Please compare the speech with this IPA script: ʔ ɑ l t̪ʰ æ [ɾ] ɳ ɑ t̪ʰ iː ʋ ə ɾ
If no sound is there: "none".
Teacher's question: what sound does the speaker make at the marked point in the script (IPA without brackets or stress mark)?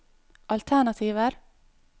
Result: none